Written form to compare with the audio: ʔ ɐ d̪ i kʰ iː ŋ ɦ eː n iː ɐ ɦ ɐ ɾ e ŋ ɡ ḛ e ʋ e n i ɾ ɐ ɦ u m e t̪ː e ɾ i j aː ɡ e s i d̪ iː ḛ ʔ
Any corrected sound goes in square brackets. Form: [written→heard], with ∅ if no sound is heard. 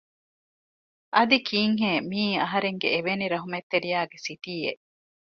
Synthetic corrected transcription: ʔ ɐ d̪ i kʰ iː ŋ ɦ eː [n→m] iː ɐ ɦ ɐ ɾ e ŋ ɡ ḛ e ʋ e n i ɾ ɐ ɦ u m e t̪ː e ɾ i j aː ɡ e s i [d̪→t̪] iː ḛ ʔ

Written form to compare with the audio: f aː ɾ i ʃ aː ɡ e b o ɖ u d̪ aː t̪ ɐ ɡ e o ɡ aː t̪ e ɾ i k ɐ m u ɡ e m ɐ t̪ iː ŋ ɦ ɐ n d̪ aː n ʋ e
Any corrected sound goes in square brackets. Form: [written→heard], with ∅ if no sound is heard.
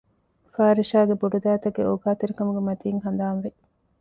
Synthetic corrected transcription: f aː ɾ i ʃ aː ɡ e b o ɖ u d̪ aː t̪ ɐ ɡ e o ɡ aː t̪ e ɾ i k ɐ m u ɡ e m ɐ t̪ iː ŋ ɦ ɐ n d̪ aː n ʋ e

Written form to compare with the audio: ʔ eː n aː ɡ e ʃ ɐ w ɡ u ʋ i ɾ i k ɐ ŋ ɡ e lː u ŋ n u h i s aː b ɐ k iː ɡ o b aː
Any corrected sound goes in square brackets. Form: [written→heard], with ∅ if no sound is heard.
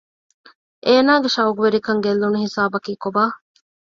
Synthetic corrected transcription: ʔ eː n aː ɡ e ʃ ɐ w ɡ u ʋ [i→e] ɾ i k ɐ ŋ ɡ e lː u [ŋ→∅] n u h i s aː b ɐ k iː [ɡ→k] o b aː

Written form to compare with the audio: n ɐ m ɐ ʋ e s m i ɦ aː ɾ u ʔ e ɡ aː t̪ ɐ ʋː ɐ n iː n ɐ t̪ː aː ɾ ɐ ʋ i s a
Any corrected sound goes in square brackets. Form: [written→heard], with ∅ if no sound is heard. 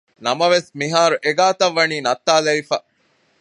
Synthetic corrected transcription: n ɐ m ɐ ʋ e s m i ɦ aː ɾ u ʔ e ɡ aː t̪ ɐ ʋː ɐ n iː n ɐ t̪ː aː [ɾ→l] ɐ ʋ i [s→f] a

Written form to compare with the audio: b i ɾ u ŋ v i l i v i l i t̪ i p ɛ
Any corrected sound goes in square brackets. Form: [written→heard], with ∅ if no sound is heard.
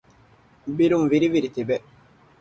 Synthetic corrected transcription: b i ɾ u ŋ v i [l→ɾ] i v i [l→ɾ] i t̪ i [p→b] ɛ

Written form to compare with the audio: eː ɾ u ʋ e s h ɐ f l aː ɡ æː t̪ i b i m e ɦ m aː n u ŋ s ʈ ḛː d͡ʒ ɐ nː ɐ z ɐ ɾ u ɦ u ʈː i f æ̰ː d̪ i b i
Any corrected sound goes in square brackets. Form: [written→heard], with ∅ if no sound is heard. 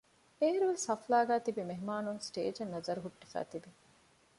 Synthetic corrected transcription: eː ɾ u ʋ e s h ɐ f l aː ɡ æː t̪ i b i m e ɦ m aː n u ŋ s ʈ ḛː d͡ʒ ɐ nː ɐ z ɐ ɾ u ɦ u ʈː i f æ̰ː [d̪→t̪] i b i

